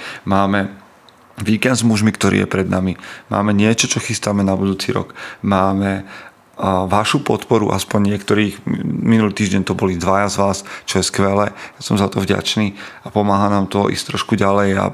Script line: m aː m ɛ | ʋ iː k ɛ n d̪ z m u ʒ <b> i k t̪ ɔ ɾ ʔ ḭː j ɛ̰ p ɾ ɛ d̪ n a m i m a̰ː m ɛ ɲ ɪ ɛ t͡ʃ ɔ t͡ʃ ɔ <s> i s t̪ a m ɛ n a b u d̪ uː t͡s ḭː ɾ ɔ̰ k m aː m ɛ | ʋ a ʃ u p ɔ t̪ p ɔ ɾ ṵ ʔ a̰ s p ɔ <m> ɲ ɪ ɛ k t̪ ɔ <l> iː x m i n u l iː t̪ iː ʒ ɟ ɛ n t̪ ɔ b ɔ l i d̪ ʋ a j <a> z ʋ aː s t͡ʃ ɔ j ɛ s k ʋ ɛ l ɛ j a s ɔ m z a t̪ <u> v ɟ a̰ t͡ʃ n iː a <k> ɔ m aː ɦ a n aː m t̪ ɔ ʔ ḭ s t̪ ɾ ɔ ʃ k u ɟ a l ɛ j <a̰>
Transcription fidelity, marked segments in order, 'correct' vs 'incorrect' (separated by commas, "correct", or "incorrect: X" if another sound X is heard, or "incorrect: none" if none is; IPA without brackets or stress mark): incorrect: m, incorrect: x, incorrect: ɲ, incorrect: ɾ, correct, incorrect: ɔ, incorrect: p, correct